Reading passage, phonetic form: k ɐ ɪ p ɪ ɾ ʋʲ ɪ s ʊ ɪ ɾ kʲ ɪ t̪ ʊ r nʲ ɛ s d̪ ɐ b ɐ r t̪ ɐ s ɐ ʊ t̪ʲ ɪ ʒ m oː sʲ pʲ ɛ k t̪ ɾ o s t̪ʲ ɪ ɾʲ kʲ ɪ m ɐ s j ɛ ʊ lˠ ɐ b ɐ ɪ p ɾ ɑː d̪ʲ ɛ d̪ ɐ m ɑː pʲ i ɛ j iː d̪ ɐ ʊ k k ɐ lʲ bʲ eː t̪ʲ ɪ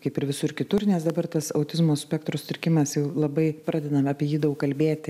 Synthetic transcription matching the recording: k ɐ ɪ p ɪ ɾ ʋʲ ɪ s ʊ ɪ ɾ kʲ ɪ t̪ ʊ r nʲ ɛ s d̪ ɐ b ɐ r t̪ ɐ s ɐ ʊ t̪ʲ ɪ z m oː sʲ pʲ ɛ k t̪ ɾ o s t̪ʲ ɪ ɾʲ kʲ ɪ m ɐ s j ɛ ʊ lˠ ɐ b ɐ ɪ p ɾ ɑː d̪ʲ ɛ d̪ ɐ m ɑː pʲ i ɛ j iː d̪ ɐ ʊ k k ɐ lʲ bʲ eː t̪ʲ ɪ